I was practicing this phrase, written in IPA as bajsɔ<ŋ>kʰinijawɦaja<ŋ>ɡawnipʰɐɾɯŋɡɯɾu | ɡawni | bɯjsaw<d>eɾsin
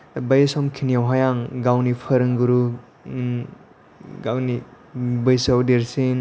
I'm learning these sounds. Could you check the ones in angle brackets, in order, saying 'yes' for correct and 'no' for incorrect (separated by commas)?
no, yes, yes